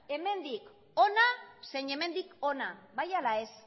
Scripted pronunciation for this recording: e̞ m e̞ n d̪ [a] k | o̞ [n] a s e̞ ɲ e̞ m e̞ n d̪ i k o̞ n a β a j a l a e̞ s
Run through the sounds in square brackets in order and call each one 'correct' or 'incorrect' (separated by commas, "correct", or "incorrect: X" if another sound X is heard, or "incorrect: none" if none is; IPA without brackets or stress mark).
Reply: incorrect: i, correct